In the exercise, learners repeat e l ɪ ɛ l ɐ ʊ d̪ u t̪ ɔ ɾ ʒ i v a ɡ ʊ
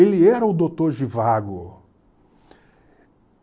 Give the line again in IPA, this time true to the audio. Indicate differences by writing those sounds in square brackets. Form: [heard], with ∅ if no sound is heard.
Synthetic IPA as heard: e l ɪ ɛ [ɾ] ɐ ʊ d̪ [o] t̪ [o] ɾ ʒ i v a ɡ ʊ